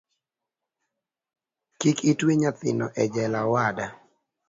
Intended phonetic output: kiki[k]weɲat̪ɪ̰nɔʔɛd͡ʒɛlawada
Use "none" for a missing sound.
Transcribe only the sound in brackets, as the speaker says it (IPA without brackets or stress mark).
t